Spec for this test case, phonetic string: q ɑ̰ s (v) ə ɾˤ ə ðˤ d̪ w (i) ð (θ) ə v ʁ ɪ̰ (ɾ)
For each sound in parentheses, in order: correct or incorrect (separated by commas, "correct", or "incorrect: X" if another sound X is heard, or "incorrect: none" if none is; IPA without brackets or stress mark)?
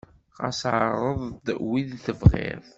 incorrect: ʕ, correct, correct, correct